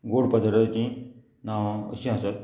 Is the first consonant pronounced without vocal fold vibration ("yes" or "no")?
no